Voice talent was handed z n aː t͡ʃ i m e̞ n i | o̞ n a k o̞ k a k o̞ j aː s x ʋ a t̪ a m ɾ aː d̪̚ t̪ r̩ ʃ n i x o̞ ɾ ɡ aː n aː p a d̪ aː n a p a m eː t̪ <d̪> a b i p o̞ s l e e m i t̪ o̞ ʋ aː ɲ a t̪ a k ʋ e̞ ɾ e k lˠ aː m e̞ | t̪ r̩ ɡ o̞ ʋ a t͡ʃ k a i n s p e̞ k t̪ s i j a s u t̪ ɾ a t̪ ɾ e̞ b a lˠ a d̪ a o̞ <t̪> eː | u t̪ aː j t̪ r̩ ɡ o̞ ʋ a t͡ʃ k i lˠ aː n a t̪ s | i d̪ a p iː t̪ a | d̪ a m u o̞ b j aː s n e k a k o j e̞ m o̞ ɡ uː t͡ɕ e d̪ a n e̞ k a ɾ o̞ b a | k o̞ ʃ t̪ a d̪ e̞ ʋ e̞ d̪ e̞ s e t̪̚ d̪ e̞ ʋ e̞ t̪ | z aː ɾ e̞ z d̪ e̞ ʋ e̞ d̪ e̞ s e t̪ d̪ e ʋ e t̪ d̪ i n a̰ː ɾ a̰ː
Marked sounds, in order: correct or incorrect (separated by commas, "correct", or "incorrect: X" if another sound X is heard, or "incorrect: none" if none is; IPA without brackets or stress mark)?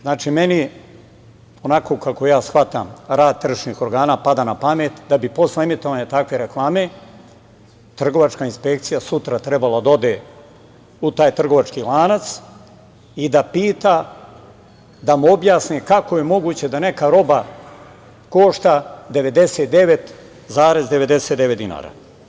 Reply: correct, incorrect: d̪